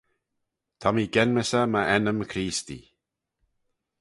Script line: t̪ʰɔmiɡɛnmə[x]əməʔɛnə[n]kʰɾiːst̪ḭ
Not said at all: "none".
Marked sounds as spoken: s, m

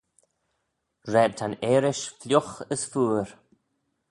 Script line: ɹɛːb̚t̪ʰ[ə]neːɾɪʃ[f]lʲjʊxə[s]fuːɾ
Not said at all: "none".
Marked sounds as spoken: a, f, s

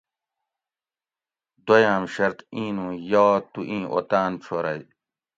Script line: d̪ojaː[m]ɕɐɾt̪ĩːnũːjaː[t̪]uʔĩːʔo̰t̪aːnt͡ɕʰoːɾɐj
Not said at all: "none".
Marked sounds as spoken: m, t̪

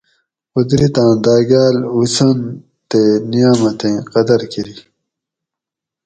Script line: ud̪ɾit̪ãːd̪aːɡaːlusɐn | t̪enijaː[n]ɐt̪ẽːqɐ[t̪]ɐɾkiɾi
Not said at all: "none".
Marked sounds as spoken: m, d̪

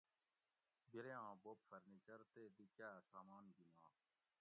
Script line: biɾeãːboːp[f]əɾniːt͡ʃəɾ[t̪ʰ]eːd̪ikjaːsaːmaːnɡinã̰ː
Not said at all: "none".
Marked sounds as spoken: f, t̪

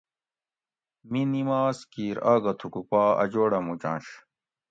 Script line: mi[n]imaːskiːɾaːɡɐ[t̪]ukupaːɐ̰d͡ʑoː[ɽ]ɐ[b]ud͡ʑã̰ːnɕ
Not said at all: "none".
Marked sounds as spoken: n, t̪ʰ, ɽ, m

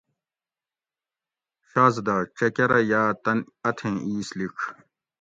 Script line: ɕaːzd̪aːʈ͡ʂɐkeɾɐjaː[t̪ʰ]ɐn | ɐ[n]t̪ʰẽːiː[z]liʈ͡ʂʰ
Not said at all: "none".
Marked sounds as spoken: t̪, none, s

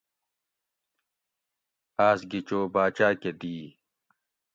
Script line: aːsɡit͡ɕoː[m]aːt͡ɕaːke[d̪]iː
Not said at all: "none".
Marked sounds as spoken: b, d̪

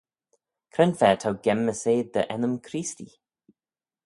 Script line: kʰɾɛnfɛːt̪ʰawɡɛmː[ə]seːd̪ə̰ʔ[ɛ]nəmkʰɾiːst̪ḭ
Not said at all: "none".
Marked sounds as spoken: ə, ɛ

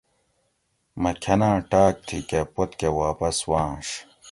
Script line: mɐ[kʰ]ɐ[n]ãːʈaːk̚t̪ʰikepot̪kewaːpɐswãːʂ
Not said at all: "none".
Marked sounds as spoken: kʰ, n

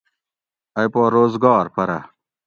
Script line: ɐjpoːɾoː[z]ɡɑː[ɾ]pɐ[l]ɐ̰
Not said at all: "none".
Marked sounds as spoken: z, ɾ, ɾ

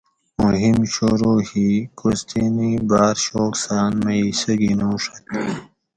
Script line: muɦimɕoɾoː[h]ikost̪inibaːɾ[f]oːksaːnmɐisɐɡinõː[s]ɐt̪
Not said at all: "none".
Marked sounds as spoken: h, ɕ, ʂ

